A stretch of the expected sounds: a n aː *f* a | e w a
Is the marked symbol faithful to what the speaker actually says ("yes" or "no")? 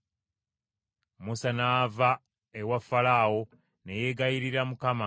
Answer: no